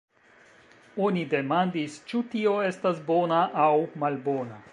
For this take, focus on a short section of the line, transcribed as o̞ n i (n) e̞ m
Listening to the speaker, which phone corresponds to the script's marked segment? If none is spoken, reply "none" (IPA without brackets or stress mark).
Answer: d